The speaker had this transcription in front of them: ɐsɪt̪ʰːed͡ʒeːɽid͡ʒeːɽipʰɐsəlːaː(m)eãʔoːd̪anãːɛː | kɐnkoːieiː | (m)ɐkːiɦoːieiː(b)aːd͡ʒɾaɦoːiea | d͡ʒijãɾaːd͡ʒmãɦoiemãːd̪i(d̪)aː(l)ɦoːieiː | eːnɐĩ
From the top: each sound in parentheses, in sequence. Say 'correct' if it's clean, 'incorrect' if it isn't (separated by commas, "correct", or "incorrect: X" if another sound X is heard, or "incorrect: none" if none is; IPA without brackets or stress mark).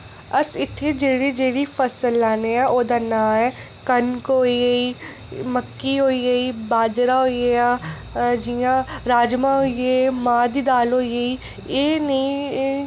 incorrect: n, correct, correct, correct, correct